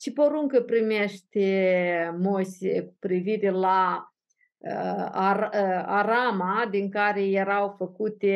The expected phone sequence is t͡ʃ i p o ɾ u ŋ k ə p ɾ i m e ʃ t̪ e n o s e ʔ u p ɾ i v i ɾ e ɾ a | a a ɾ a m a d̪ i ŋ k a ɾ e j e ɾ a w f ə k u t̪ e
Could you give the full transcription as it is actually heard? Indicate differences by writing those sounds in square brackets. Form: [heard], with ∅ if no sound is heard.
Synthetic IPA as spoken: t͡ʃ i p o ɾ u ŋ k ə p ɾ i m e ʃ t̪ e [m] o s e [k] u p ɾ i v i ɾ e [l] a | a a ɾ a m a d̪ i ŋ k a ɾ e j e ɾ a w f ə k u t̪ e